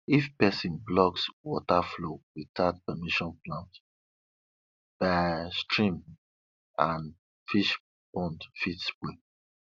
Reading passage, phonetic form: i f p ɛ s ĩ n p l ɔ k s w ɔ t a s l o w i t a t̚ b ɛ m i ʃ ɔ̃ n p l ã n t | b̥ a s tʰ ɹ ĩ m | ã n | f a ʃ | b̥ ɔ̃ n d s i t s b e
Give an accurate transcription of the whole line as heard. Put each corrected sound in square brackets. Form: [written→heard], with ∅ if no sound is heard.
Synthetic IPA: i f p ɛ s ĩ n [p→b] l ɔ k s w ɔ t a [s→f] l o w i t a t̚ [b→p] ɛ m i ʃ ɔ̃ n p l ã n t | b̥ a s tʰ ɹ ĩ m | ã n | f [a→i] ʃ | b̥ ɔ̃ n d [s→f] i t s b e